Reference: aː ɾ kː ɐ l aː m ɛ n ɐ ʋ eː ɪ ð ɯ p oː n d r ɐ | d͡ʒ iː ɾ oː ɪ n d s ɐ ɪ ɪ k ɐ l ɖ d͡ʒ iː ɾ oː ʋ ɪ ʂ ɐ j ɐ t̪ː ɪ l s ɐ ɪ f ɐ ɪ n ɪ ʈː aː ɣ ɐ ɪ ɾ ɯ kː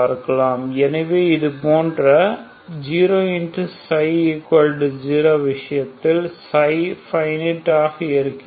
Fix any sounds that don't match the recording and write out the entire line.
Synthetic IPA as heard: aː ɾ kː ɐ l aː m ɛ n ɐ ʋ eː ɪ ð ɯ p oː n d r ɐ | d͡ʒ iː ɾ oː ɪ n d s ɐ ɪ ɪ k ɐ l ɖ d͡ʒ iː ɾ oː ʋ ɪ ʂ ɐ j ɐ t̪ː ɪ l s ɐ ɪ f ɐ ɪ n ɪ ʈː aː ɣ ɐ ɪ ɾ ɯ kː

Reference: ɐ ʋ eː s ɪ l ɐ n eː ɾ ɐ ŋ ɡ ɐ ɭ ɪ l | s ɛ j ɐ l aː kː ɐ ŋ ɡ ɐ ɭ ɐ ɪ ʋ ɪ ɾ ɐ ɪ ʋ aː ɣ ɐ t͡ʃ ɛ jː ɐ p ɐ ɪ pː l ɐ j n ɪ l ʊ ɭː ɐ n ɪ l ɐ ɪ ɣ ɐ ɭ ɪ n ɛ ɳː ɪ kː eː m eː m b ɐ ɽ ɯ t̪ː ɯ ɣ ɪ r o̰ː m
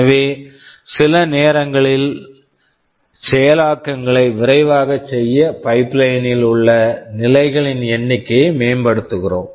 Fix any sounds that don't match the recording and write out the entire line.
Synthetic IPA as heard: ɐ ʋ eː s ɪ l ɐ n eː ɾ ɐ ŋ ɡ ɐ ɭ ɪ l | s ɛ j ɐ l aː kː ɐ ŋ ɡ ɐ ɭ ɐ ɪ ʋ ɪ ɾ ɐ ɪ ʋ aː ɣ ɐ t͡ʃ ɛ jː ɐ p ɐ ɪ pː l ɐ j n ɪ l ʊ ɭː ɐ n ɪ l ɐ ɪ ɣ ɐ ɭ ɪ n ɛ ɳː ɪ kː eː m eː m b ɐ ɽ ɯ t̪ː ɯ ɣ ɪ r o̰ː m

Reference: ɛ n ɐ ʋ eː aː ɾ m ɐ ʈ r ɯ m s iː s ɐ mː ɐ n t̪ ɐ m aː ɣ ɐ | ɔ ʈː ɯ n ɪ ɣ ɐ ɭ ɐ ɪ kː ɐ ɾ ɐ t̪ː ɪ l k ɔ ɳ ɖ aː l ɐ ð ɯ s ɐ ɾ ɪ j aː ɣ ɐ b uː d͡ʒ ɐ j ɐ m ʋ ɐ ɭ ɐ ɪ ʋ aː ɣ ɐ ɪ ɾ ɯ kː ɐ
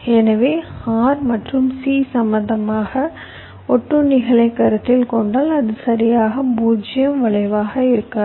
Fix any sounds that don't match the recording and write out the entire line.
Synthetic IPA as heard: ɛ n ɐ ʋ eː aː ɾ m ɐ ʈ r ɯ m s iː s ɐ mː ɐ n d̪ ɐ m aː ɣ ɐ | ɔ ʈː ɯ n ɪ ɣ ɐ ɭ ɐ ɪ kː ɐ ɾ ɐ t̪ː ɪ l k ɔ ɳ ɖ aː l ɐ ð ɯ s ɐ ɾ ɪ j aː ɣ ɐ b uː d͡ʒ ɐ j ɐ m ʋ ɐ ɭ ɐ ɪ ʋ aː ɣ ɐ ɪ ɾ ɯ kː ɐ

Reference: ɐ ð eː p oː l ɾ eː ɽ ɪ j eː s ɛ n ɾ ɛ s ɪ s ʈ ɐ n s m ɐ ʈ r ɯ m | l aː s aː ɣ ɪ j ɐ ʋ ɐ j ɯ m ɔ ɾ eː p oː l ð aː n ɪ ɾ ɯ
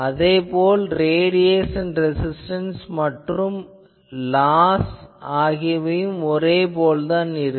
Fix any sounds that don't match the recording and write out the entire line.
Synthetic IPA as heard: ɐ ð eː p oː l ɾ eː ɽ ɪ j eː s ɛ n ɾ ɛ s ɪ s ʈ ɐ n s m ɐ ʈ r ɯ m | l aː s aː ɣ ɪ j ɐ ʋ ɐ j ɯ m ɔ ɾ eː p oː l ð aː n ɪ ɾ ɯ

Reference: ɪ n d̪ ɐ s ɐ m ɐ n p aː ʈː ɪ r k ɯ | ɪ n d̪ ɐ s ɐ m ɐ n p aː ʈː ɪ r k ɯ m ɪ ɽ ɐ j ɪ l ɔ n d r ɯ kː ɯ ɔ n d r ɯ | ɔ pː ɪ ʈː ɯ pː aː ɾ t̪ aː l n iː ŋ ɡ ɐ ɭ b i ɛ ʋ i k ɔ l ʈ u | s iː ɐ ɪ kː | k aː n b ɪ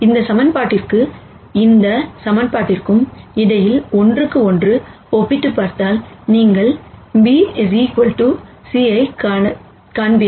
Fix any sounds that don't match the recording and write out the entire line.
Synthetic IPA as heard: ɪ n d̪ ɐ s ɐ m ɐ n p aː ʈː ɪ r k ɯ | ɪ n d̪ ɐ s ɐ m ɐ n p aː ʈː ɪ r k ɯ m ɪ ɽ ɐ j ɪ l ɔ n d r ɯ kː ɯ ɔ n d r ɯ | ɔ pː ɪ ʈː ɯ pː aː ɾ t̪ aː l n iː ŋ ɡ ɐ ɭ b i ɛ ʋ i k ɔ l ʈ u | s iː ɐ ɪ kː | k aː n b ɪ

